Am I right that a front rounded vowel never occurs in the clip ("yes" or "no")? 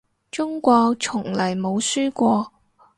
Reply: no